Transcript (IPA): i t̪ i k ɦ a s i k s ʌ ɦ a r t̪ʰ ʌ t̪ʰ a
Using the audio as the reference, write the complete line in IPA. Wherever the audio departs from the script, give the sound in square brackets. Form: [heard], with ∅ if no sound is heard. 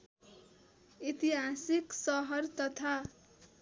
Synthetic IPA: i t̪ i [∅] ɦ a s i k s ʌ ɦ [ʌ] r [t̪] ʌ t̪ʰ a